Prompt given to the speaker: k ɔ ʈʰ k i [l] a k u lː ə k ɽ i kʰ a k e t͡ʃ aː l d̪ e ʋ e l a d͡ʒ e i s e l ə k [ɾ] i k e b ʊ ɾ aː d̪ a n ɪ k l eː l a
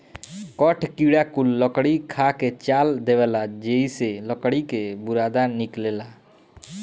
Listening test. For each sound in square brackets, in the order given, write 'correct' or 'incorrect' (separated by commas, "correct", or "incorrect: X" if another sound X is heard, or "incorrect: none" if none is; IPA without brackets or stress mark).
incorrect: ɽ, incorrect: ɽ